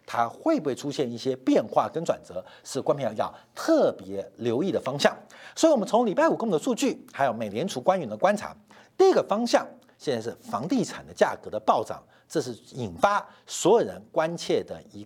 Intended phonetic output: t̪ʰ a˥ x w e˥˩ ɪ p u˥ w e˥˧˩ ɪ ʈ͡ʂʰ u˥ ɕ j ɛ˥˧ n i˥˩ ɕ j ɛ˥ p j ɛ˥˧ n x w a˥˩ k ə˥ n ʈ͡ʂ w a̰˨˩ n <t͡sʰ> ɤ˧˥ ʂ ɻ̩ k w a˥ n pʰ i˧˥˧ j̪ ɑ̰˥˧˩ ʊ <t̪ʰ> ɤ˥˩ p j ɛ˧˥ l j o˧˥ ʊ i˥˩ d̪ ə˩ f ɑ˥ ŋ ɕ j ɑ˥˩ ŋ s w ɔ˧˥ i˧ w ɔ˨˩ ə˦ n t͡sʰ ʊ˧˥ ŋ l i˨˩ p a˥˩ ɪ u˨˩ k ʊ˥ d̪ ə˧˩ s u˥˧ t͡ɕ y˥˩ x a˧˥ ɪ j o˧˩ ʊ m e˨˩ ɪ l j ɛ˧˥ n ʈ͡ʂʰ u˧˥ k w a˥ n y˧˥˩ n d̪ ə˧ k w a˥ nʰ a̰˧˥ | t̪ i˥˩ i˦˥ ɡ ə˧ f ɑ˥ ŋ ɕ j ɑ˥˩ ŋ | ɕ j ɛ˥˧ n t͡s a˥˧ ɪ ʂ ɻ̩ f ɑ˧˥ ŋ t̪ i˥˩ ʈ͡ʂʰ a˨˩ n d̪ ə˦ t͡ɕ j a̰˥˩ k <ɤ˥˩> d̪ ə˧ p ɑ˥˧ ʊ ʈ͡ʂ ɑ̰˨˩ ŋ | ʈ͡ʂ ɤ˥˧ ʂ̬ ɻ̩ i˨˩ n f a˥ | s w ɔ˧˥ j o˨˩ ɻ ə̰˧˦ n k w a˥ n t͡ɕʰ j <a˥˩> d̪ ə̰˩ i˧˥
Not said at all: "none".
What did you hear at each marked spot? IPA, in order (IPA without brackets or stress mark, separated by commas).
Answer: t͡s, t̪ʰ, ɤ˧˥, ɛ˥˩